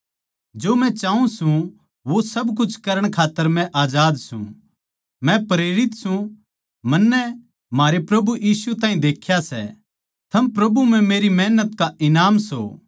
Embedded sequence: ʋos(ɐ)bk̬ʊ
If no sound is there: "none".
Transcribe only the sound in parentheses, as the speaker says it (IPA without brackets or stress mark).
ɐ